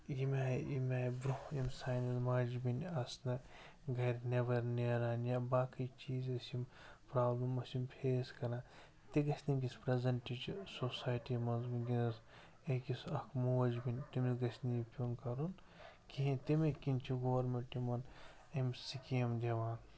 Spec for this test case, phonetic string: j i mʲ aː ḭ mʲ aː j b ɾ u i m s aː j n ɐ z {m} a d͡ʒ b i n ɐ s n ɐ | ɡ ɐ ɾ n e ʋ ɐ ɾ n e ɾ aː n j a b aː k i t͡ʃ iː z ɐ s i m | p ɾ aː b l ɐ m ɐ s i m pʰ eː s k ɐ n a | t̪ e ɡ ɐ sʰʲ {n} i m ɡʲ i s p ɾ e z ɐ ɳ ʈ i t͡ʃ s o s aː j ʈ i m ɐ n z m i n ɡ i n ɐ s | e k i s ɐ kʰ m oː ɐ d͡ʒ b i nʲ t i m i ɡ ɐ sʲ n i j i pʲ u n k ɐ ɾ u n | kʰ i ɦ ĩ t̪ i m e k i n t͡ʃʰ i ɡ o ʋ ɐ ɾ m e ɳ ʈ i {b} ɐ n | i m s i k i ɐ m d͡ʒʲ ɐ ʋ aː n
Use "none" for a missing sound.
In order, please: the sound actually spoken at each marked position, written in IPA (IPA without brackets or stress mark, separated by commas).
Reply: m, n, m